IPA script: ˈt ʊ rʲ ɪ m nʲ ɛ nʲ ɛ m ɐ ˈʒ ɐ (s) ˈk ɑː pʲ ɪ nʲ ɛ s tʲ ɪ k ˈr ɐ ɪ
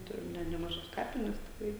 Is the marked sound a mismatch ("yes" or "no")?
no